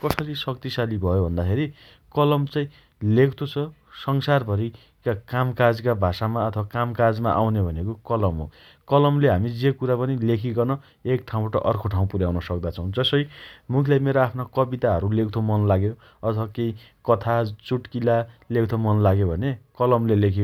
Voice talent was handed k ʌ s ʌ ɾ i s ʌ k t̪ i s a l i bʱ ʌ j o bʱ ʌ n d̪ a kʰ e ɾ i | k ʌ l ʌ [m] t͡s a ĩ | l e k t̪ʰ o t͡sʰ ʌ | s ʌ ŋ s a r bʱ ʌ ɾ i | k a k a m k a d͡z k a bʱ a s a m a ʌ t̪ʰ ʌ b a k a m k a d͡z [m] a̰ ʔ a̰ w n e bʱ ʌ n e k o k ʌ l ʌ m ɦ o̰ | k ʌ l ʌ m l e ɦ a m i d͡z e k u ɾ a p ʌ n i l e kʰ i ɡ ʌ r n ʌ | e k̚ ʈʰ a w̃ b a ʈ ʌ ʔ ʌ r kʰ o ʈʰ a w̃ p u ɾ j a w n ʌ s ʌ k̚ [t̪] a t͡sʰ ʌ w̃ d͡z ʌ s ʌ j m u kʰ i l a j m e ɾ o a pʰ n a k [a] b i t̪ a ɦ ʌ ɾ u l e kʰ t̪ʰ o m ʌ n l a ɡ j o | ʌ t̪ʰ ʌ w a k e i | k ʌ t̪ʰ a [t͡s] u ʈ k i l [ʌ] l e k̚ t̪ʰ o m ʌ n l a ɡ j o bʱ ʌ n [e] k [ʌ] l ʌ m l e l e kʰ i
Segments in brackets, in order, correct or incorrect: correct, correct, incorrect: d̪, incorrect: ʌ, correct, incorrect: a, correct, correct

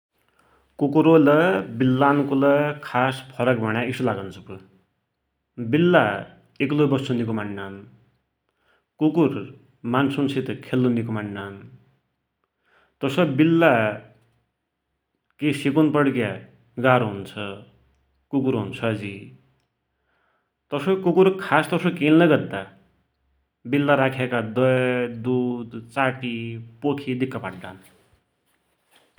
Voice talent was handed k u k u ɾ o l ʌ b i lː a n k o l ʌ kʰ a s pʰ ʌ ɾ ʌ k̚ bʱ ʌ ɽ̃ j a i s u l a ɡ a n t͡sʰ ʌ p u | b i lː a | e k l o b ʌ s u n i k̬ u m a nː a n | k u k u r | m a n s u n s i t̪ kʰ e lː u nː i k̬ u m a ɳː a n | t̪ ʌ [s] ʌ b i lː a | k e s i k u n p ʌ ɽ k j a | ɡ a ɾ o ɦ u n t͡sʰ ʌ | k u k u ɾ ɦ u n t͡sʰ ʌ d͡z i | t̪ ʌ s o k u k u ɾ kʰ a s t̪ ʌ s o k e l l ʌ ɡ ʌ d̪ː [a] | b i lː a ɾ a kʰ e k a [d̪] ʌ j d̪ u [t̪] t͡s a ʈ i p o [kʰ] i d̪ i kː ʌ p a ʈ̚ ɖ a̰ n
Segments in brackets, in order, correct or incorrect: correct, correct, correct, incorrect: d̪, correct

